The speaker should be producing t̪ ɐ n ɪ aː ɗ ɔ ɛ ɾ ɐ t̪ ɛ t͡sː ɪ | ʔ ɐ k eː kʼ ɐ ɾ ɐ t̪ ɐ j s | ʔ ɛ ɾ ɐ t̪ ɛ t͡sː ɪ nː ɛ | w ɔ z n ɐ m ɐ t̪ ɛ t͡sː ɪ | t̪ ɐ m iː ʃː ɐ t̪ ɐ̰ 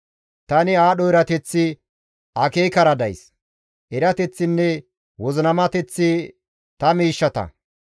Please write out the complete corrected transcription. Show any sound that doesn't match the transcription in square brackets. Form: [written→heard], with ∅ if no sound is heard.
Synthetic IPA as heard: t̪ ɐ n ɪ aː ɗ ɔ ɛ ɾ ɐ t̪ ɛ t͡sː ɪ | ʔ ɐ k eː [kʼ→k] ɐ ɾ ɐ [t̪→d̪] ɐ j s | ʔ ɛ ɾ ɐ t̪ ɛ t͡sː ɪ nː ɛ | w ɔ z n ɐ m ɐ t̪ ɛ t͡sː ɪ | t̪ ɐ m iː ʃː ɐ t̪ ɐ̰